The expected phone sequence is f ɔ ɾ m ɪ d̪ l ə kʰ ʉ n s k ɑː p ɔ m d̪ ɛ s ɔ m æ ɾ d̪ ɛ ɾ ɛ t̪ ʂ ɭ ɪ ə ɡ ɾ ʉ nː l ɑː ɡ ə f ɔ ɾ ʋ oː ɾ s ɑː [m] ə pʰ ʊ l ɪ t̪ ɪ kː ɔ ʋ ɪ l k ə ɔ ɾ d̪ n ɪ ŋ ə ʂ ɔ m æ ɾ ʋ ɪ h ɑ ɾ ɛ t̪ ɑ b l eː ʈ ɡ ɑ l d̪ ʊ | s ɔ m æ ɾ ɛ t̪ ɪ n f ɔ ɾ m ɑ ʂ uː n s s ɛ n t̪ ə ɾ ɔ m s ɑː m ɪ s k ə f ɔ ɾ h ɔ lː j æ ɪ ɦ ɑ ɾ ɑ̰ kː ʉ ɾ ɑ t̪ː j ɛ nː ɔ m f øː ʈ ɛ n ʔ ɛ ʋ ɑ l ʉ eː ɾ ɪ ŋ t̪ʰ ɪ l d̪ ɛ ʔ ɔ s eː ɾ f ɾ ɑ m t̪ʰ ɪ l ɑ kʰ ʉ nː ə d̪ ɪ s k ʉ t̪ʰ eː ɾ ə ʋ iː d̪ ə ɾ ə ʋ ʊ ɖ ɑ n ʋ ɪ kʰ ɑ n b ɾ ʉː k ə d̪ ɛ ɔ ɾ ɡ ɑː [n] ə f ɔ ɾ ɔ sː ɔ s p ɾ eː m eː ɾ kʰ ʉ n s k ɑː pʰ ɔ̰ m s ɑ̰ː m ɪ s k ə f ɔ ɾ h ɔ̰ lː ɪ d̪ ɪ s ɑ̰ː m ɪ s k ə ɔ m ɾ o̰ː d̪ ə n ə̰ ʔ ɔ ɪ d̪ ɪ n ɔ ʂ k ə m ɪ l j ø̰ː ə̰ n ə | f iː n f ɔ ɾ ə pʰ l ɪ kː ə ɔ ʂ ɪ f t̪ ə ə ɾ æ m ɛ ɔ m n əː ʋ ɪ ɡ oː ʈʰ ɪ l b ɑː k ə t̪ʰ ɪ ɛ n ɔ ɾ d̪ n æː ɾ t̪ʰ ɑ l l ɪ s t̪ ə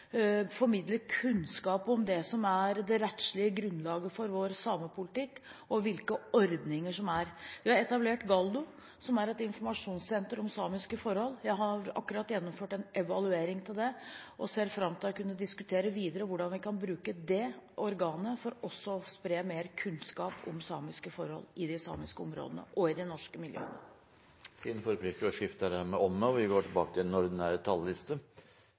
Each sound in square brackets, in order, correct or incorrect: correct, correct

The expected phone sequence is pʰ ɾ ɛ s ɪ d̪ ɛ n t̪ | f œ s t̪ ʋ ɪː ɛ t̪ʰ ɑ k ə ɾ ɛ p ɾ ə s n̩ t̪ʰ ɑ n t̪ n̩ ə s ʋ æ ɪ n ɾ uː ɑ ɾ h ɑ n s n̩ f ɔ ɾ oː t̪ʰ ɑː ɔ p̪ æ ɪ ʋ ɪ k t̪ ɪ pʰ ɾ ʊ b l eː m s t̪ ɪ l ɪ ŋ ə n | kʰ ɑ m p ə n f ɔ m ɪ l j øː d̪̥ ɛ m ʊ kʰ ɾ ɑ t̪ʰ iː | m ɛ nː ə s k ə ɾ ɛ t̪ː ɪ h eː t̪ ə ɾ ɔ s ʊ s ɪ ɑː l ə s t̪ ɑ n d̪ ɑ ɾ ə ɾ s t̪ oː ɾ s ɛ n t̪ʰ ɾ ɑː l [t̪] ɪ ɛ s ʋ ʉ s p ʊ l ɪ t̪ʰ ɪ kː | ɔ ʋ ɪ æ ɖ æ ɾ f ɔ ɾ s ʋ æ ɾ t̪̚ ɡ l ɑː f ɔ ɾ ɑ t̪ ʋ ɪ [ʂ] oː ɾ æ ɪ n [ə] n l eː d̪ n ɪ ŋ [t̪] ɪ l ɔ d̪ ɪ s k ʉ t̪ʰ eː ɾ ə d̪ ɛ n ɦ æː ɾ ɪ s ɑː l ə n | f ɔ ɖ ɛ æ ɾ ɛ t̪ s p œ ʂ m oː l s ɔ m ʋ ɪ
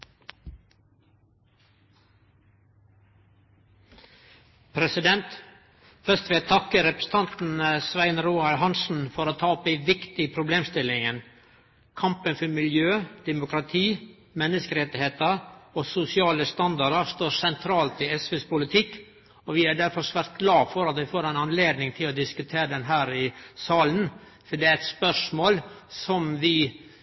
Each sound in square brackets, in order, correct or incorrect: correct, incorrect, incorrect, incorrect

